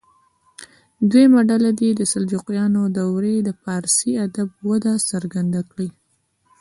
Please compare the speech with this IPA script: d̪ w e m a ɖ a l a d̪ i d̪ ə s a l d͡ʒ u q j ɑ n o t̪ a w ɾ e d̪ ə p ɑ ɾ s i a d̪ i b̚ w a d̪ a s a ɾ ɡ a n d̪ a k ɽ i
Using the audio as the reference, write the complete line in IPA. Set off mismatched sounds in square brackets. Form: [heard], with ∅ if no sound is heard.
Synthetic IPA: d̪ w e m a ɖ a l a d̪ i d̪ ə s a l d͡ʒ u q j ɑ n o [d̪] a w ɾ e d̪ ə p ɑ ɾ s i a d̪ [a] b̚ w a d̪ a s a ɾ ɡ a n d̪ a k ɽ i